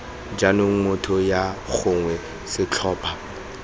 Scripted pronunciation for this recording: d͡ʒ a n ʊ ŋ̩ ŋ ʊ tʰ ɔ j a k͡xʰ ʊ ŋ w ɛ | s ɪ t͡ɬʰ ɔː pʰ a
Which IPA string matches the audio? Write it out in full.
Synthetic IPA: d͡ʒ a n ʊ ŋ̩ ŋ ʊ tʰ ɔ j a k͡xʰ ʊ ŋ w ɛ | s ɪ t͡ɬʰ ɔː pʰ a